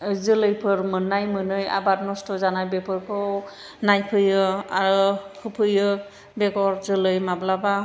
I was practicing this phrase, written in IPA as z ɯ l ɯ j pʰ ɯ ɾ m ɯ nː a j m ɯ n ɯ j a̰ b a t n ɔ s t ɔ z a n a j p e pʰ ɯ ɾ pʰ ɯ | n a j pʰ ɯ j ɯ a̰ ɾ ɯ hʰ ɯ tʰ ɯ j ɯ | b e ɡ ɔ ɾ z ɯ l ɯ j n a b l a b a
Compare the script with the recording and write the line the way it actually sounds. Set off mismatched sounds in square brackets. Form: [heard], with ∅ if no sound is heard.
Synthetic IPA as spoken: z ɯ l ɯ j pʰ ɯ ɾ m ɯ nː a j m ɯ n ɯ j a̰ b a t n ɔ s t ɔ z a n a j [b] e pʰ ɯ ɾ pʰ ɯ | n a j pʰ ɯ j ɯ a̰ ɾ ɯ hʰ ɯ [pʰ] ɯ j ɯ | b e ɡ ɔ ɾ z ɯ l ɯ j [m] a b l a b a